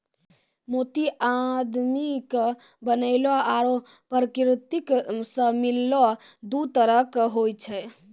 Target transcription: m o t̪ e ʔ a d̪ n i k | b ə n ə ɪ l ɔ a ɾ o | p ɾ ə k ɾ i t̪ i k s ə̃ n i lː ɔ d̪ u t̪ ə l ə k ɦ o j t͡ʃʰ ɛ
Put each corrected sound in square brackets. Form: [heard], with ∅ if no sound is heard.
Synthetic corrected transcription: m o t̪ [i] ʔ a d̪ [m] i k | b ə n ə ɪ l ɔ a ɾ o | p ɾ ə k ɾ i t̪ i k s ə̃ [m] i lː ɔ d̪ u t̪ ə [ɾ] ə k ɦ o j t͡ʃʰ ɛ